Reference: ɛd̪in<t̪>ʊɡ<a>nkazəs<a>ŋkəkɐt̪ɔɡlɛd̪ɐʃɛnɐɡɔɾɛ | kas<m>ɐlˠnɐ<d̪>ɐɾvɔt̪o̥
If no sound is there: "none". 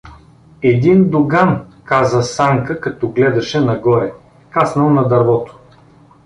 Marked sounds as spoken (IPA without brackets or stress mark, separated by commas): d̪, a, a, n, d̪